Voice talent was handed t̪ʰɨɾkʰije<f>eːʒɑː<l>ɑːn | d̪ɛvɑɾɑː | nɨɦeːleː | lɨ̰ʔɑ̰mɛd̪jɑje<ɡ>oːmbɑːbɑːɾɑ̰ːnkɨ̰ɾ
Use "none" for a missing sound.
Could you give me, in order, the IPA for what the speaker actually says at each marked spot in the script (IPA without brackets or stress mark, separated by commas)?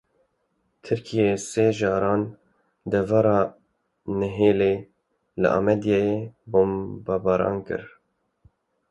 s, ɾ, b